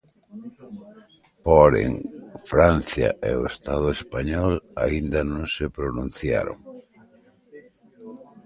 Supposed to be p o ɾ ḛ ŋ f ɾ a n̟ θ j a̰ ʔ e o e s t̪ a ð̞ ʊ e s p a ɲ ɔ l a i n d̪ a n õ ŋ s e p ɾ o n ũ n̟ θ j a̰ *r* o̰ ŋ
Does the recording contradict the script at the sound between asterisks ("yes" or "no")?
yes